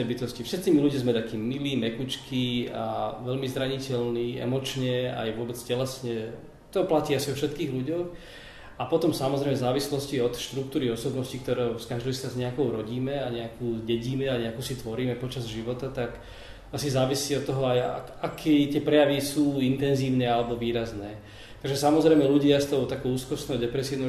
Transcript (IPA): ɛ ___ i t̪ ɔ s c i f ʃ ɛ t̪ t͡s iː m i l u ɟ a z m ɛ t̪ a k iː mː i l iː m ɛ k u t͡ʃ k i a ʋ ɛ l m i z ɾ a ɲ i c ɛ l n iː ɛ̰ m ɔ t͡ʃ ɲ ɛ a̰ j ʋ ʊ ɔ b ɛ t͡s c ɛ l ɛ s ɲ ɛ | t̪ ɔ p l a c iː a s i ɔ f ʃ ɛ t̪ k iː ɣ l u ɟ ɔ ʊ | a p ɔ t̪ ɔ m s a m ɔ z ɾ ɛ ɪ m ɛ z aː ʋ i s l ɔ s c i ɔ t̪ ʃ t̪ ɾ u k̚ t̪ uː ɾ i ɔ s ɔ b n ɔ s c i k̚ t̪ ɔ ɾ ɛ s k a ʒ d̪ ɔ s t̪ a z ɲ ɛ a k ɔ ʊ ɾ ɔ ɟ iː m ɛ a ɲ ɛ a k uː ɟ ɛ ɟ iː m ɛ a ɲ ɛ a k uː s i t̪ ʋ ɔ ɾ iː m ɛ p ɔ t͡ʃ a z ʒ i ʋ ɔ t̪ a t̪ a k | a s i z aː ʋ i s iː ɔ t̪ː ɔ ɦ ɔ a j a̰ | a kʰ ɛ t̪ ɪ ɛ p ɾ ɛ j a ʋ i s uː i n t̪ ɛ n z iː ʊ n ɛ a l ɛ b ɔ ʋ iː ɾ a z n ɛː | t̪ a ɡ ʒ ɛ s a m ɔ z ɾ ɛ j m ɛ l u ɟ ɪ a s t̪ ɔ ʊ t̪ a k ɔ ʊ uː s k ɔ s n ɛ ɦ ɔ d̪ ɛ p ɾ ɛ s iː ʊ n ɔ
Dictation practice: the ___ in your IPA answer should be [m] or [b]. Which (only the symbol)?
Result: b